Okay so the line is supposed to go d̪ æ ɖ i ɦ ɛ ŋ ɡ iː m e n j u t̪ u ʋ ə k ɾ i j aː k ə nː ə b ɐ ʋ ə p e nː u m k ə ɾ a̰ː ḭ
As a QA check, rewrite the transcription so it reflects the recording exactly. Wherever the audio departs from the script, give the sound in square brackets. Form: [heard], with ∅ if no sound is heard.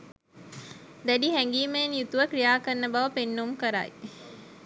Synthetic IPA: d̪ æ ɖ i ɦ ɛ ŋ ɡ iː m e n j u t̪ u ʋ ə k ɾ i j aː k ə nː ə b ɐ ʋ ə p e nː u m k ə ɾ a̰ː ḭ